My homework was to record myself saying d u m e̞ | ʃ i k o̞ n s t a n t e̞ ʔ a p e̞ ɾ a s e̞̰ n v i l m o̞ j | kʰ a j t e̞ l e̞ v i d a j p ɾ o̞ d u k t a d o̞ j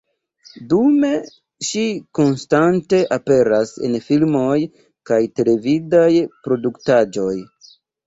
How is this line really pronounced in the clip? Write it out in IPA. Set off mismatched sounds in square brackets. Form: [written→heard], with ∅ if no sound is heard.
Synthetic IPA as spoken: d u m e̞ | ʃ i k o̞ n s t a n t e̞ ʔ a p e̞ ɾ a s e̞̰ n [v→f] i l m o̞ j | [kʰ→k] a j t e̞ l e̞ v i d a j p ɾ o̞ d u k t a [d→d͡ʒ] o̞ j